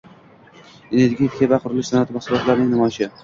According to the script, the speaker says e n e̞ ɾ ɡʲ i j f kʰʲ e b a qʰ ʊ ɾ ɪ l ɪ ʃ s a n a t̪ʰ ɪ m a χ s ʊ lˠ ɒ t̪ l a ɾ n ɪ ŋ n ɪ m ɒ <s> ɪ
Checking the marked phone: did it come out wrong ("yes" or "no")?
yes